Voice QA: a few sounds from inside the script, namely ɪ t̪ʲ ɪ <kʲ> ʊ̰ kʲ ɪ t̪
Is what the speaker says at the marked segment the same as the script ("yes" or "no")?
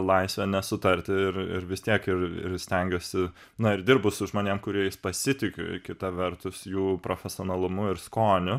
yes